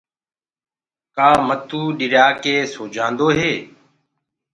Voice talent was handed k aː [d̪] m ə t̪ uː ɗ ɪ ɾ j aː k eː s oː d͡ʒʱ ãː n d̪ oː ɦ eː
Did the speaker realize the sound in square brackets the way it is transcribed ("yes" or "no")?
no